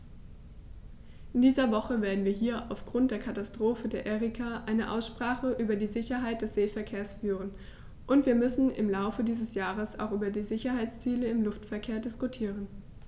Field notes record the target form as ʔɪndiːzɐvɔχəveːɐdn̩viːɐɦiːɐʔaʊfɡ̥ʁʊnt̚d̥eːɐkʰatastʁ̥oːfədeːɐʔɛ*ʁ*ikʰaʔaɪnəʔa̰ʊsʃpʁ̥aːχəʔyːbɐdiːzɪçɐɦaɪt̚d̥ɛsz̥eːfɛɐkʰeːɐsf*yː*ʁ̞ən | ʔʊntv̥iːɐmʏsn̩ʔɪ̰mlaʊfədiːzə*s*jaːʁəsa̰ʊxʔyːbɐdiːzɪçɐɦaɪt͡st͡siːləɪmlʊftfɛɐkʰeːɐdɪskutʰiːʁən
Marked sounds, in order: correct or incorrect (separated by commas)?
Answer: correct, correct, correct